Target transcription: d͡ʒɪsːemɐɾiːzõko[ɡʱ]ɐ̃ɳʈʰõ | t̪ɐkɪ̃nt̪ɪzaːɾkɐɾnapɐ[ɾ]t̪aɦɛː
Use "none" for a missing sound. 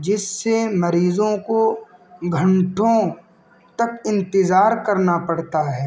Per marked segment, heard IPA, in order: ɡʱ, ɽ

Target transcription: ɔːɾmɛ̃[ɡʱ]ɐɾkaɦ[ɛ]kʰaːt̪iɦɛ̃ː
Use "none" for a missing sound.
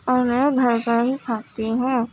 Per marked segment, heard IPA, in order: ɡʱ, i

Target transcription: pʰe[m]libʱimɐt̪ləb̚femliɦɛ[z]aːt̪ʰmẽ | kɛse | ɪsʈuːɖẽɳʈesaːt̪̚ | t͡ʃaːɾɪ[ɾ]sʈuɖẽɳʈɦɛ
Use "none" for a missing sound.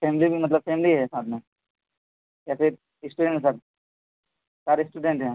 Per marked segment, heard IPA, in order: m, s, none

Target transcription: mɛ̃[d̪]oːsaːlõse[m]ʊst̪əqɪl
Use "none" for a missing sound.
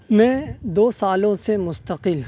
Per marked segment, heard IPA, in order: d̪, m

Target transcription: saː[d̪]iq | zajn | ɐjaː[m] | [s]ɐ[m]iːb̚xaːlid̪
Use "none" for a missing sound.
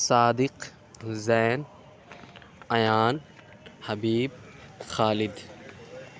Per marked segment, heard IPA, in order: d̪, n, h, b

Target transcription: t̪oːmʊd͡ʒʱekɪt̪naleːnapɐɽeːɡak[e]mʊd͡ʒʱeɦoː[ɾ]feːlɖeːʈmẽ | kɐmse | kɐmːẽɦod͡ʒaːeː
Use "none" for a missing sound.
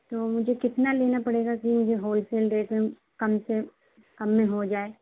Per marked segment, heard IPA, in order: i, l

